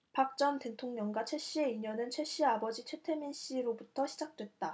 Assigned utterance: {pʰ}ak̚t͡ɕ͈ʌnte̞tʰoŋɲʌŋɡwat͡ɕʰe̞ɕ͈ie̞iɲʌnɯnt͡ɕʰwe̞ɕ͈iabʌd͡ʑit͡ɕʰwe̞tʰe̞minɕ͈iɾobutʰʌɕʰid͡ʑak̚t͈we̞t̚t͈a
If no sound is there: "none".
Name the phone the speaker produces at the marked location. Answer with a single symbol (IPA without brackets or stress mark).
p